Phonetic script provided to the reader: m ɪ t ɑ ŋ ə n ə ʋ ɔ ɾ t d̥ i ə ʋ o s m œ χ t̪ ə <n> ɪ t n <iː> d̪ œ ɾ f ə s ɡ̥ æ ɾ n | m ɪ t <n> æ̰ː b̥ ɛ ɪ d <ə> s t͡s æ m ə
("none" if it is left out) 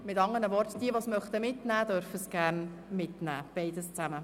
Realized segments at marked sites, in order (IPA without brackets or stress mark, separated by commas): m, æː, n, ə